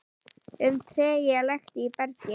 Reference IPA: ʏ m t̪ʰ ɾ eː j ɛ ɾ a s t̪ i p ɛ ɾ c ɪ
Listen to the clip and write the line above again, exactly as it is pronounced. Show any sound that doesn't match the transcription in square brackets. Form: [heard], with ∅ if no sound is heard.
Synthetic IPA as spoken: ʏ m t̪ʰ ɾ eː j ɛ [l] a [x] t̪ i p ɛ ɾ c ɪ